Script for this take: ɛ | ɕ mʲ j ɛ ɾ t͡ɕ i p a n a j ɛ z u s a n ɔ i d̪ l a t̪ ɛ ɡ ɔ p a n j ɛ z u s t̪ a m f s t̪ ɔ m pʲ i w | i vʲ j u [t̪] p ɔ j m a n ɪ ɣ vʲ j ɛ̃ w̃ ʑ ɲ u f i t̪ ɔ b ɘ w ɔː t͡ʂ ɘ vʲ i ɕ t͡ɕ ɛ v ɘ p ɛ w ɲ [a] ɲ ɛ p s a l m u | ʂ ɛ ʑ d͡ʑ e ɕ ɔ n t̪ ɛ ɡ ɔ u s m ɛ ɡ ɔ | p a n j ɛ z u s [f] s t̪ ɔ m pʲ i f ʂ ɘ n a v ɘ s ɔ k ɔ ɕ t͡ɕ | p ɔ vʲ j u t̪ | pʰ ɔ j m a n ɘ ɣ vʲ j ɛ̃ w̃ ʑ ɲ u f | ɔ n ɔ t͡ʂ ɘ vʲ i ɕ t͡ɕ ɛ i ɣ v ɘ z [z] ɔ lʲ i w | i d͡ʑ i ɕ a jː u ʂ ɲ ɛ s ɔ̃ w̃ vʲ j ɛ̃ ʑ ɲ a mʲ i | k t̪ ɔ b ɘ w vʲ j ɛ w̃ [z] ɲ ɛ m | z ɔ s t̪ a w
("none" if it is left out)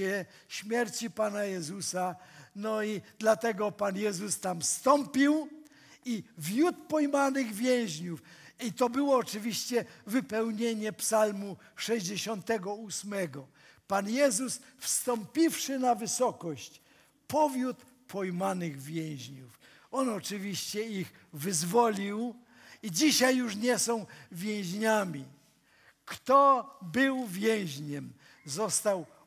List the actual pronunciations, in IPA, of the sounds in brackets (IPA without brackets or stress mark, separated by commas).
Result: t̪, e, f, v, ʑ